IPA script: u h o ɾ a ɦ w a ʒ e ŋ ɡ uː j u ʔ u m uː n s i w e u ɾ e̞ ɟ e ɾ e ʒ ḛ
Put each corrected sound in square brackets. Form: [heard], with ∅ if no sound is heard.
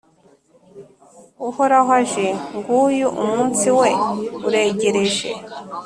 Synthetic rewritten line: u h o ɾ a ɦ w a ʒ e ŋ ɡ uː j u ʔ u m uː n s i w e u ɾ e̞ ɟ e ɾ e ʒ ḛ